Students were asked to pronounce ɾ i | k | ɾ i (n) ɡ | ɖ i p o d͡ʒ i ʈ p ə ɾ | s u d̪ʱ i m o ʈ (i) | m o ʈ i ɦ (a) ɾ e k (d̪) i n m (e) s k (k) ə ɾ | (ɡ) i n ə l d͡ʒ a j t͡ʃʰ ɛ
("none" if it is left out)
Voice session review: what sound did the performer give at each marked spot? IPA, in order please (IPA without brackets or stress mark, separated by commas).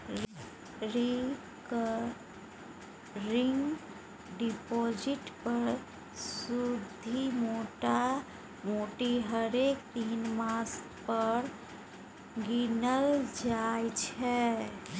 ŋ, a, ə, t̪, a, p, ɡ